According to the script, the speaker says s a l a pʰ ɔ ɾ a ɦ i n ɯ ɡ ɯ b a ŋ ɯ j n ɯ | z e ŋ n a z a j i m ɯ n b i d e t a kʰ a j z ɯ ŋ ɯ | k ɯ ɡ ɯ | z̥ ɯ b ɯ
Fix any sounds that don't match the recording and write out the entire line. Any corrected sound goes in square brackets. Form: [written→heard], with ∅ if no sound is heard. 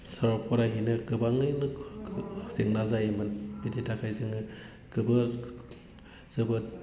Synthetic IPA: s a [l→ɾ] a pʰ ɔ ɾ a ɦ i n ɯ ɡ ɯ b a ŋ ɯ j n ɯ | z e ŋ n a z a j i m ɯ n b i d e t a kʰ a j z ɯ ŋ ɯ | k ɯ [ɡ→b] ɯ | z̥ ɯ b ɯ